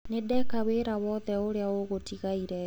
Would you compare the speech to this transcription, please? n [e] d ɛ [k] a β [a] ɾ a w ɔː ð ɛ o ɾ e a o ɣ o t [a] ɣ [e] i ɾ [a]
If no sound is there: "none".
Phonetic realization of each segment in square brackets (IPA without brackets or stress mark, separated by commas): e, k, e, i, a, ɛ